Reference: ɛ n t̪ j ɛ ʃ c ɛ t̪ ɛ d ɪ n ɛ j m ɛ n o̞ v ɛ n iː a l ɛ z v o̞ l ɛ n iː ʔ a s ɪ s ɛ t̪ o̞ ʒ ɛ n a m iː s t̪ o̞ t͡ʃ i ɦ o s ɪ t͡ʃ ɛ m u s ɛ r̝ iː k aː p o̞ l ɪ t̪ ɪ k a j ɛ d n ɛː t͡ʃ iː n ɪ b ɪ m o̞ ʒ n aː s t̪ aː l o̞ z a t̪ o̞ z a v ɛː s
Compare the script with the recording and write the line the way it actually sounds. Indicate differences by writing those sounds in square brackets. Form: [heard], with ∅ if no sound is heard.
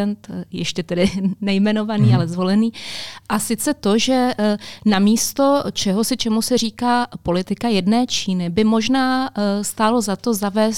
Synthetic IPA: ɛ n t̪ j ɛ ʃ c ɛ t̪ ɛ d ɪ n ɛ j m ɛ n o̞ v [a] n iː a l ɛ z v o̞ l ɛ n iː ʔ a s ɪ [t͡s] ɛ t̪ o̞ ʒ ɛ n a m iː s t̪ o̞ t͡ʃ [ɛ] ɦ o s ɪ t͡ʃ ɛ m u s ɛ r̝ iː k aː p o̞ l ɪ t̪ ɪ k a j ɛ d n ɛː t͡ʃ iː n ɪ b ɪ m o̞ ʒ n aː s t̪ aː l o̞ z a t̪ o̞ z a v ɛː s